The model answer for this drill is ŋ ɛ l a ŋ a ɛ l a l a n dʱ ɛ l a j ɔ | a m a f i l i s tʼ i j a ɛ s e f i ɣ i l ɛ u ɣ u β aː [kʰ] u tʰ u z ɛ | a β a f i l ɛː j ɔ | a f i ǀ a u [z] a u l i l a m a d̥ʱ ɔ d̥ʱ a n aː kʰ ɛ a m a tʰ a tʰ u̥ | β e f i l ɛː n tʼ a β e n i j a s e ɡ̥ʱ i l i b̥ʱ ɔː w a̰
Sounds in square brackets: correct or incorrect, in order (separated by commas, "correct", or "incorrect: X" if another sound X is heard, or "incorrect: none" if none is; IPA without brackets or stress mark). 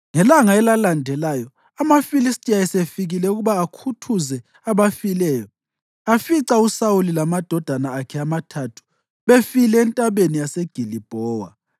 correct, incorrect: s